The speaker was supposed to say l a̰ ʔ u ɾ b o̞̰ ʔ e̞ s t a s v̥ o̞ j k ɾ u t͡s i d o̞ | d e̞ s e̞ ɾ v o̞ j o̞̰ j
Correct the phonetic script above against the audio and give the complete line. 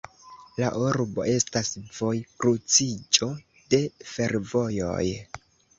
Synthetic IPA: l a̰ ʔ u ɾ b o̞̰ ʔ e̞ s t a s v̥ o̞ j k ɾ u t͡s i d͡ʒ o̞ | d e̞ f e̞ ɾ v o̞ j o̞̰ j